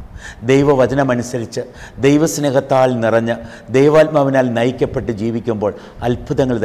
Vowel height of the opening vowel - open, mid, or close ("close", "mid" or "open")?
mid